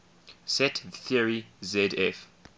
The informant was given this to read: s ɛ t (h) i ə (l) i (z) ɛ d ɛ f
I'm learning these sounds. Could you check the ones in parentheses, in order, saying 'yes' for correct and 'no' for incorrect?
no, no, yes

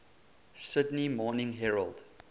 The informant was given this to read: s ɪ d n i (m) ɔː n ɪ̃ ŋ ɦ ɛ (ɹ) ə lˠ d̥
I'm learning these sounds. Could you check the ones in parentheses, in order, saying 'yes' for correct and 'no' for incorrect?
yes, yes

